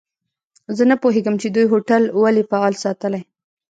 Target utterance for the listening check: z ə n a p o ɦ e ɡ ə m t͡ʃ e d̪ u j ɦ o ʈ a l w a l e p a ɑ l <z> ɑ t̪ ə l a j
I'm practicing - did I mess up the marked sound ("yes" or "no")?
yes